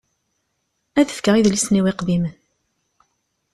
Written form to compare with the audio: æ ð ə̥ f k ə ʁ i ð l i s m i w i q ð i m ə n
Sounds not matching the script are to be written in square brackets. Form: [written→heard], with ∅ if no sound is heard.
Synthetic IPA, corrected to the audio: æ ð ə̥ f k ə ʁ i ð l i s [m→n] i w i q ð i m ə n